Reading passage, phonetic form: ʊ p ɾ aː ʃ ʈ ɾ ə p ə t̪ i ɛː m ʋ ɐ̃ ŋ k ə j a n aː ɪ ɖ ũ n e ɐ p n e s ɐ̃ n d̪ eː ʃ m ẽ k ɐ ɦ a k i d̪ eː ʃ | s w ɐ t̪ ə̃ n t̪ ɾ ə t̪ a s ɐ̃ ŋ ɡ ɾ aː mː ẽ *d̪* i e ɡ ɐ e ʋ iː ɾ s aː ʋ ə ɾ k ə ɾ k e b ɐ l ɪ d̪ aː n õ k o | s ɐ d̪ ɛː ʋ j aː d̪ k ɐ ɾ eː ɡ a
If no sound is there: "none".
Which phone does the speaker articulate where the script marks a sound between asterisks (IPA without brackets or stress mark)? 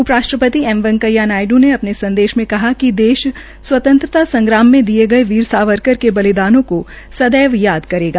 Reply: d̪